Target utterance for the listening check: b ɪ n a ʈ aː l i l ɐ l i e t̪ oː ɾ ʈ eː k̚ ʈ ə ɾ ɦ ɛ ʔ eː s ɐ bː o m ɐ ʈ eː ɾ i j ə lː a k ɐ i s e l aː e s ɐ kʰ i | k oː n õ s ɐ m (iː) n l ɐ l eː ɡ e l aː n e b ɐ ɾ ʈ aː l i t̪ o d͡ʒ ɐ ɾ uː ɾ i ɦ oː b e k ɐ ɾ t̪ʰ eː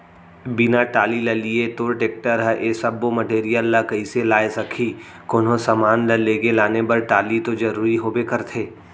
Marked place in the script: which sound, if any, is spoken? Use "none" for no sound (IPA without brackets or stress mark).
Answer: aː